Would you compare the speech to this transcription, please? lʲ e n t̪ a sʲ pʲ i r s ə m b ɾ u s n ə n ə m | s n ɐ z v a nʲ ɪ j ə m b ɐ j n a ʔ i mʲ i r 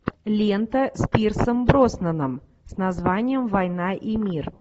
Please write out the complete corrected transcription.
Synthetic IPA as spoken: lʲ e n t̪ ə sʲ pʲ i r s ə m b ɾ o s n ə n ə m | s n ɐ z v a nʲ ɪ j ə m v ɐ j n a ʔ i mʲ i r